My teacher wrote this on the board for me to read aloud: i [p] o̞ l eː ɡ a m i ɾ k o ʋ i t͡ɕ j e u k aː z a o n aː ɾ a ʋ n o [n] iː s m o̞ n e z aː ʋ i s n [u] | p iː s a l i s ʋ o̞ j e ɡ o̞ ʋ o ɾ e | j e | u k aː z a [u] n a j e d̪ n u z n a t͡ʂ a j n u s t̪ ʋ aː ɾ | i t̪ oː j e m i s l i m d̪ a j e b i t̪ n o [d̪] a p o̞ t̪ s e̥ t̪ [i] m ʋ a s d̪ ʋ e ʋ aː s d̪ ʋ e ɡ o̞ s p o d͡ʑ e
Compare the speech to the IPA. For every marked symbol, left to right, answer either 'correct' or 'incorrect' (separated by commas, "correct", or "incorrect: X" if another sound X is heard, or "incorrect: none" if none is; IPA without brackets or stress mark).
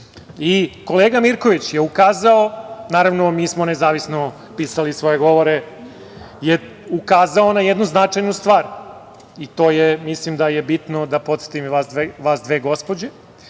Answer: incorrect: k, incorrect: m, incorrect: o, incorrect: o, correct, correct